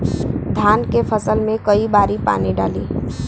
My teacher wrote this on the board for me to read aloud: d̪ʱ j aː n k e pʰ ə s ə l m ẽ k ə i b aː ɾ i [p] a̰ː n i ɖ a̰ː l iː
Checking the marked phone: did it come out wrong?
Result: no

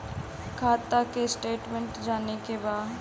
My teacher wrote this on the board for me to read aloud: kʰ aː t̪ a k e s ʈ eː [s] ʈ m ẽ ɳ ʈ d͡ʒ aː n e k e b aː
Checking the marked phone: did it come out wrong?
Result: yes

